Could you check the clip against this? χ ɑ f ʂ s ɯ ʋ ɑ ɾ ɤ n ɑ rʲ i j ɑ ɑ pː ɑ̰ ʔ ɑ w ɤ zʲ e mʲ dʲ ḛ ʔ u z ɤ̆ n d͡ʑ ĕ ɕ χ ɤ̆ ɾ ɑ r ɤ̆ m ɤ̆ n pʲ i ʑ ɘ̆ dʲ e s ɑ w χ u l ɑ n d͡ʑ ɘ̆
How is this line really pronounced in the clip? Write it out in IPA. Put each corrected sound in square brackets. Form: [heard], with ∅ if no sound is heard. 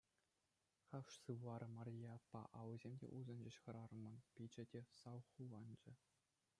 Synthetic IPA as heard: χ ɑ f ʂ s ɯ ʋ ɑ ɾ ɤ [m] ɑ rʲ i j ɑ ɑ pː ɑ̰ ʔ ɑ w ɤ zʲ e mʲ dʲ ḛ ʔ u z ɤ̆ n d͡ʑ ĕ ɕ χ ɤ̆ ɾ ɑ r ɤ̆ m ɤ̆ n pʲ i [d͡ʑ] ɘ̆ dʲ e s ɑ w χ u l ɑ n d͡ʑ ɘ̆

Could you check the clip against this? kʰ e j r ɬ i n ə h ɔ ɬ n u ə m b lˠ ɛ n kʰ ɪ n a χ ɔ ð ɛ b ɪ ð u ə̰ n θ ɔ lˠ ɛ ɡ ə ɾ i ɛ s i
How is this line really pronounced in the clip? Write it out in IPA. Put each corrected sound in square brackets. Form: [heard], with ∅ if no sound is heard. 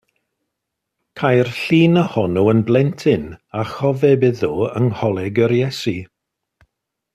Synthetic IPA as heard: kʰ [a] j r ɬ [iː] n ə h ɔ [∅] n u ə [n] b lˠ ɛ n [tʰ] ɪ n a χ ɔ [v] ɛ b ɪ ð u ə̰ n [h] ɔ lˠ ɛ ɡ ə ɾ [j] ɛ s i

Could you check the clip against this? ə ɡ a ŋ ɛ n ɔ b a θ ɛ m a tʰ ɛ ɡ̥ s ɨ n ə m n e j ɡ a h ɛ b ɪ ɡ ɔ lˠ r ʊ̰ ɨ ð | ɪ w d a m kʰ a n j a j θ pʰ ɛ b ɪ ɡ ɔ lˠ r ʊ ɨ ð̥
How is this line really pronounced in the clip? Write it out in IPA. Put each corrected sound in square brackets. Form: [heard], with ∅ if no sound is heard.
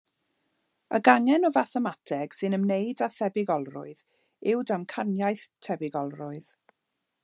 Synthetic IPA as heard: ə ɡ a ŋ ɛ n ɔ [v] a θ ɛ m a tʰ ɛ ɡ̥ s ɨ n ə m n e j [d] a [θ] ɛ b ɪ ɡ ɔ lˠ r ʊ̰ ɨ ð | ɪ w d a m kʰ a n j a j θ [tʰ] ɛ b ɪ ɡ ɔ lˠ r ʊ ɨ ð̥

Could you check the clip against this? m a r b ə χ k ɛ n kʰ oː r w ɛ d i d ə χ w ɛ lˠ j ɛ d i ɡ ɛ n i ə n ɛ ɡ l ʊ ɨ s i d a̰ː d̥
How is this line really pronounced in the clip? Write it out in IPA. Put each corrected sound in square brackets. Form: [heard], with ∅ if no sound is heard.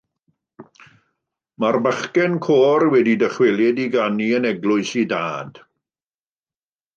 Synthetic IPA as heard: m a r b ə χ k ɛ n kʰ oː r w ɛ d i d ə χ w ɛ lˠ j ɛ d i ɡ [a] n i ə n ɛ ɡ l ʊ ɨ s i d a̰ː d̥

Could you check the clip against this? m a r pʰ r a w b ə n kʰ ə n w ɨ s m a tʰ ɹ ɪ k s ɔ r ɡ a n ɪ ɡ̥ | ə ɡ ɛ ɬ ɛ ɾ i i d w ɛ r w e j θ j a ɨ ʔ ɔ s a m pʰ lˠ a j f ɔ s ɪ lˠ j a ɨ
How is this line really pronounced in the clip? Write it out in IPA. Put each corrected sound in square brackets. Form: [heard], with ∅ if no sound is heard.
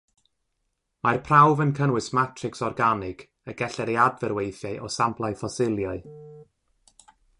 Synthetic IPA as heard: m a r pʰ r a w [v] ə n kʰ ə n w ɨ s m a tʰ [r] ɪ k s ɔ r ɡ a n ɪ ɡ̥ | ə ɡ ɛ ɬ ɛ ɾ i [a] d [v] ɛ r w e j θ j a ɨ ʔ ɔ s a m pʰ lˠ a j f ɔ s ɪ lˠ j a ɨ

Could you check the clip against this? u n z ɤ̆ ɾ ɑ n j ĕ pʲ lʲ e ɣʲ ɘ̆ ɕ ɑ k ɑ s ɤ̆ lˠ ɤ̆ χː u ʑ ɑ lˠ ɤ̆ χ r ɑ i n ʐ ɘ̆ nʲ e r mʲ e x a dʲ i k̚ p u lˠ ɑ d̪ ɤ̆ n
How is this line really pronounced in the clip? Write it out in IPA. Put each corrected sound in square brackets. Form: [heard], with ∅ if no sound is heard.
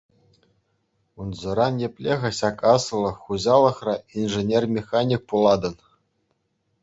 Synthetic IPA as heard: u n z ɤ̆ ɾ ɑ n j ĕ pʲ lʲ e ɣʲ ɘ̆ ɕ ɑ k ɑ s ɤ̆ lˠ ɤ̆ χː u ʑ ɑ lˠ ɤ̆ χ r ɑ i n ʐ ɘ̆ nʲ e r mʲ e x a [nʲ] i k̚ p u lˠ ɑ d̪ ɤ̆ n

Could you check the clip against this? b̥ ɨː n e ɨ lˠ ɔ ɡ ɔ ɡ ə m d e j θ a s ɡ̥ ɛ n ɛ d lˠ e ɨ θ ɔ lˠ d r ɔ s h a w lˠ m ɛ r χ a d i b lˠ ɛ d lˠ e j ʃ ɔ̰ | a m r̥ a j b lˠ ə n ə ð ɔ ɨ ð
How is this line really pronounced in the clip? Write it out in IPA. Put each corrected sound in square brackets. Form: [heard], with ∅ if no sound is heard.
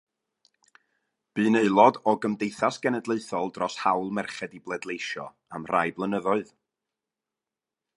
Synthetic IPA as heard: b̥ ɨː n e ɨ lˠ ɔ [d] ɔ ɡ ə m d e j θ a s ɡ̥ ɛ n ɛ d lˠ e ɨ θ ɔ lˠ d r ɔ s h a w lˠ m ɛ r χ [ɛ] d i b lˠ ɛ d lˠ e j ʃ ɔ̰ | a m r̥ a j b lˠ ə n ə ð ɔ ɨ ð

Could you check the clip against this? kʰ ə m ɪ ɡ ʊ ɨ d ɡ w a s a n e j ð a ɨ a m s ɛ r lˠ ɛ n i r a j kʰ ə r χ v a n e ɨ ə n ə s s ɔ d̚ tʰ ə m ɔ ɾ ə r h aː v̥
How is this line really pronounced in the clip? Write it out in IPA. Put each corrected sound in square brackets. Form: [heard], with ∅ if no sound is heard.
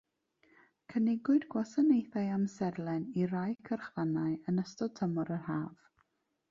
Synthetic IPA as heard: kʰ ə [n] ɪ ɡ ʊ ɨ d ɡ w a s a n e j [θ] a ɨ a m s ɛ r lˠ ɛ n i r a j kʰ ə r χ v a n [a] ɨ ə n ə s [t] ɔ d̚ tʰ ə m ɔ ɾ ə r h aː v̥

